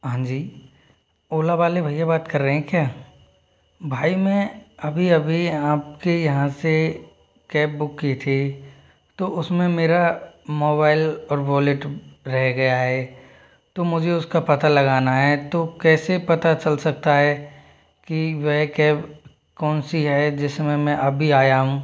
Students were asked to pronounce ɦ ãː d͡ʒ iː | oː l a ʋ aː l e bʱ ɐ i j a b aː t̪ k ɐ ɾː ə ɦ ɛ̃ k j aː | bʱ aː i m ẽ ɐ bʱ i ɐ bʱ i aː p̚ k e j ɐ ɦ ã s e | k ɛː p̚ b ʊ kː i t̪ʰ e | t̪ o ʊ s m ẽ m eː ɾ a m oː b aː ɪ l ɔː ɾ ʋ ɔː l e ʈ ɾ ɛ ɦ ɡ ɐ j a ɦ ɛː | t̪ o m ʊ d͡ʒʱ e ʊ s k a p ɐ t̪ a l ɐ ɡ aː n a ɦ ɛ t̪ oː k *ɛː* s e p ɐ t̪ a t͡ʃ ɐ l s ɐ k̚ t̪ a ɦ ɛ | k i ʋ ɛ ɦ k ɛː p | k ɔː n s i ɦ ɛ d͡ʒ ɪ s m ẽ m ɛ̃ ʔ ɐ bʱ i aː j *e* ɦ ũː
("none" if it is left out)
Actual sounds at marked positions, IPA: ɛː, a

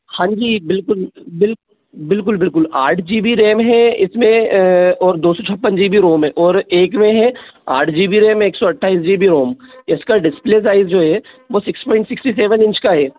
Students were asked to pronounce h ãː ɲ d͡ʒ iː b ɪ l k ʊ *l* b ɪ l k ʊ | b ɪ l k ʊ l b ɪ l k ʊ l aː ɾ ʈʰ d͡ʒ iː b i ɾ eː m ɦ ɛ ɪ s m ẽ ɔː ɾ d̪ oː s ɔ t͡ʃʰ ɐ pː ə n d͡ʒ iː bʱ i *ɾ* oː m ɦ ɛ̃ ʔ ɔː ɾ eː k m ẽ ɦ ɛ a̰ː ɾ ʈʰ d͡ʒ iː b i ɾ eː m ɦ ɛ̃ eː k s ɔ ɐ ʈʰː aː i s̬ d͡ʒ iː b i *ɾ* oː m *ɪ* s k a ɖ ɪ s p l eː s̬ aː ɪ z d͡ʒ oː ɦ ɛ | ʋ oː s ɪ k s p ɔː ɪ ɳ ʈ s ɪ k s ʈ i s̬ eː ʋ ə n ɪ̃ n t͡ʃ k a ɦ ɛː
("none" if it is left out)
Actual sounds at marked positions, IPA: l, ɾ, ɾ, ɪ

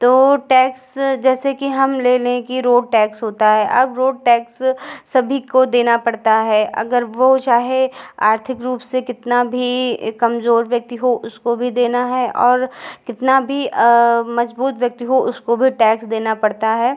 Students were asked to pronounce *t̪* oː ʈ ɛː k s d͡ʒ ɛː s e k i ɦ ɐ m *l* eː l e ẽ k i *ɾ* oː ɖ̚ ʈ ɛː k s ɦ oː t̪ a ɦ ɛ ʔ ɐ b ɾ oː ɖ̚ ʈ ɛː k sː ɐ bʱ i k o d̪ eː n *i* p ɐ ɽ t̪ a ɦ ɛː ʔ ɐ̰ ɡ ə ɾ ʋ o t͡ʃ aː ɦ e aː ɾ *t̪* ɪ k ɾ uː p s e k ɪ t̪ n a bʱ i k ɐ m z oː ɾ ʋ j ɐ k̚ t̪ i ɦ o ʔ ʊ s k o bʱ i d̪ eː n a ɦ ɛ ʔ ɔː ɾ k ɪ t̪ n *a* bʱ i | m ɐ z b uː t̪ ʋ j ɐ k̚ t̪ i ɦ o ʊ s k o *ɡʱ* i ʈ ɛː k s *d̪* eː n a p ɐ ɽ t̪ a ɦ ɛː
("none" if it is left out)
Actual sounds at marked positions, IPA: t̪, l, ɾ, a, t̪ʰ, a, bʱ, d̪

